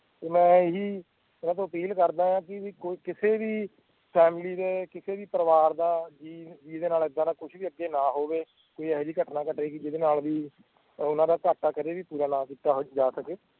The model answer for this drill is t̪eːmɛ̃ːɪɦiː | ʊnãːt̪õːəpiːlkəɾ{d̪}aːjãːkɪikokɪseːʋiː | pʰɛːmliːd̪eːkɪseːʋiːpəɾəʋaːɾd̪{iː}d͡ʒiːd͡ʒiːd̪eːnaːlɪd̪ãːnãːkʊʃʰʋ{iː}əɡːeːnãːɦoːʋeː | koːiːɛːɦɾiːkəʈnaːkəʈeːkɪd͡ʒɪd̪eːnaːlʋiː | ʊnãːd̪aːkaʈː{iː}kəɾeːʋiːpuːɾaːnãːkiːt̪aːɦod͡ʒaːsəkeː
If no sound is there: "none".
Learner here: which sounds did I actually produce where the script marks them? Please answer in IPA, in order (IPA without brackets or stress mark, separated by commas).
d̪, aː, iː, aː